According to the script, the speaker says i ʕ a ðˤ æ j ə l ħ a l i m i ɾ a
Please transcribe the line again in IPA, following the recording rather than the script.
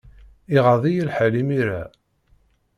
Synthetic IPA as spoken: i ʁ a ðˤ i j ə l ħ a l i m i ɾ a